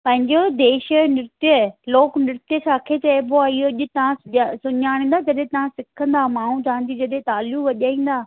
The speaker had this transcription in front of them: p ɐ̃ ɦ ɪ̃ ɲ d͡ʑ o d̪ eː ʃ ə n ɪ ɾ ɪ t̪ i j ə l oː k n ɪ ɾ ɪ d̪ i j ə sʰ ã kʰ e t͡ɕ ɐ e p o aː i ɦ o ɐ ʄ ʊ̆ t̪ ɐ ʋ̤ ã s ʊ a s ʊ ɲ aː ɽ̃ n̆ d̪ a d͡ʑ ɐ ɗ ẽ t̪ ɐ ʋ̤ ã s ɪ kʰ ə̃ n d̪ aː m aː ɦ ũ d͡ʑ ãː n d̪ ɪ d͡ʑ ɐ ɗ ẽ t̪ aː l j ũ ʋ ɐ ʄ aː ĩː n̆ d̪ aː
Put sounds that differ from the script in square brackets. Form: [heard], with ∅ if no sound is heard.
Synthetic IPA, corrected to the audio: p ɐ̃ ɦ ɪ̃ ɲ d͡ʑ o d̪ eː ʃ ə n ɪ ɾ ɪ t̪ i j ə l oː k n ɪ ɾ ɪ [t̪] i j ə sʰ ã kʰ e t͡ɕ ɐ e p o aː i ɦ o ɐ ʄ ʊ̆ t̪ ɐ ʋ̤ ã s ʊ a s ʊ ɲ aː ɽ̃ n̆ d̪ a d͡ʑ ɐ ɗ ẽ t̪ ɐ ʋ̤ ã s ɪ kʰ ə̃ n d̪ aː m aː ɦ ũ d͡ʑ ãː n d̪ [i] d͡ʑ ɐ ɗ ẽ t̪ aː l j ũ ʋ ɐ ʄ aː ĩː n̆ d̪ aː